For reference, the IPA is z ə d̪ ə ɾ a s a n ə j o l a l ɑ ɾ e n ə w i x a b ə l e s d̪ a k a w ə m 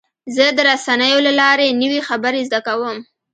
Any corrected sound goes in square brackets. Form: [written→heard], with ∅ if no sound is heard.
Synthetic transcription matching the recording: z ə d̪ ə ɾ a s a n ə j o l a l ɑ ɾ e n ə w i x a b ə [l→ɾ] e [s→z] d̪ a k a w ə m